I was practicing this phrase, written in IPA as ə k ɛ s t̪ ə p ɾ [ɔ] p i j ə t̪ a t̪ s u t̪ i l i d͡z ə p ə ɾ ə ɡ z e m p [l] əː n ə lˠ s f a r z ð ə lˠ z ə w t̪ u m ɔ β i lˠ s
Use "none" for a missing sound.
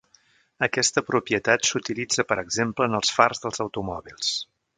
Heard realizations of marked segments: u, l

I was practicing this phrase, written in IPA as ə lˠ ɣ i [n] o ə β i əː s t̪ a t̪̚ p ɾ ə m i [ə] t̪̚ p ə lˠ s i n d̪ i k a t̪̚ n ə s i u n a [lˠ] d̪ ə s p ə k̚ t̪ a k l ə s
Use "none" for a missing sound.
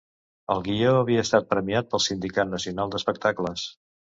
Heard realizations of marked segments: none, a, lˠ

